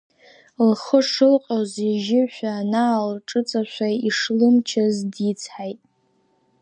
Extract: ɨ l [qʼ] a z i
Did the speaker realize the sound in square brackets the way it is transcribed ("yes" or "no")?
yes